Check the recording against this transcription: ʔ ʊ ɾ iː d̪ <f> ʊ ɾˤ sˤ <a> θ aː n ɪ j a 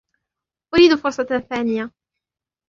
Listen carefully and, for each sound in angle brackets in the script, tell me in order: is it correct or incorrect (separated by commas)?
correct, incorrect